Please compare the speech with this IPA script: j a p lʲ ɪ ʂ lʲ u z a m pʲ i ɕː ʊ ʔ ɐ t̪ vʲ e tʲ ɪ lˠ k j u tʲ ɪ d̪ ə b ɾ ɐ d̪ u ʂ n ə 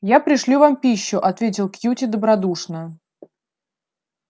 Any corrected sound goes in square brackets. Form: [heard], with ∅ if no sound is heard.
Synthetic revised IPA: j a p [ɾʲ] ɪ ʂ lʲ u [v] a m pʲ i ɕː ʊ ʔ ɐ t̪ vʲ e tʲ ɪ lˠ k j u tʲ ɪ d̪ ə b ɾ ɐ d̪ u ʂ n ə